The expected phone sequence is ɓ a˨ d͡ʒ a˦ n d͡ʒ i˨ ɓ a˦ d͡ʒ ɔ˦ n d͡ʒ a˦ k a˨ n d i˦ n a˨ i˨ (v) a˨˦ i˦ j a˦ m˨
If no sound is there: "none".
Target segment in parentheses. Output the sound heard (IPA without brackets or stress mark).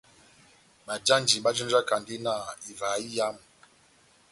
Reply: v